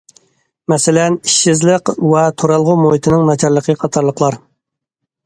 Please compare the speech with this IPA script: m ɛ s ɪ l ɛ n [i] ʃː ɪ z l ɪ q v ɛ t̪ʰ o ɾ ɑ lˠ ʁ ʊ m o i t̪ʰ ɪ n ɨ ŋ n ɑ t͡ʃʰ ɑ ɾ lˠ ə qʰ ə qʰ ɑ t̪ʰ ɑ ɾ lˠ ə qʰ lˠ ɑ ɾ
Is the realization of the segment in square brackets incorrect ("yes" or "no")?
no